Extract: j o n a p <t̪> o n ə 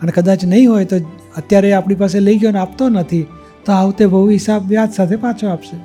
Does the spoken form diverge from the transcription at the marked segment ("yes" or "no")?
no